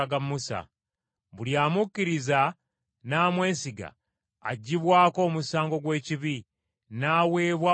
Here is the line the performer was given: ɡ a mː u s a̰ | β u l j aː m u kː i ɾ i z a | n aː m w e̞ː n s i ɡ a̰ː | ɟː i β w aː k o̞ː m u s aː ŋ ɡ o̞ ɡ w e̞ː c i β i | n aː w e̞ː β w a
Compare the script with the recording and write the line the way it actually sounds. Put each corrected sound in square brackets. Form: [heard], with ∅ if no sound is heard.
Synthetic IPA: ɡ a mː u s a̰ | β u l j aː m u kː i ɾ i z a | n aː m w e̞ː n s i ɡ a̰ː | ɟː i β w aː k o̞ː m u s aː ŋ ɡ o̞ ɡ w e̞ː c i β i | n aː w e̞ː β w a